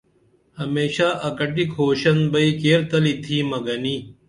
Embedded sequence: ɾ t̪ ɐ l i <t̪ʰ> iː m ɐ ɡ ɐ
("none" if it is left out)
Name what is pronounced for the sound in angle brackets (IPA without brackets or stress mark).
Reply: t̪ʰ